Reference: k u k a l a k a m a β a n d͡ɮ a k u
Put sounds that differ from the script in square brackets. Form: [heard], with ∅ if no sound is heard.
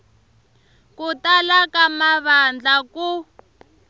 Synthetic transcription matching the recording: k u [t] a l a k a m a β a n d͡ɮ a k u